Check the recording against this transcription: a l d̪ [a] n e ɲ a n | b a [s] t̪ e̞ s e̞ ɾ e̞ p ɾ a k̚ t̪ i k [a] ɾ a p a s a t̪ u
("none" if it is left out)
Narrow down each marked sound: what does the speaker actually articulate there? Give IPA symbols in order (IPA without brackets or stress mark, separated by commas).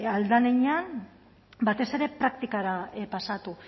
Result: a, none, a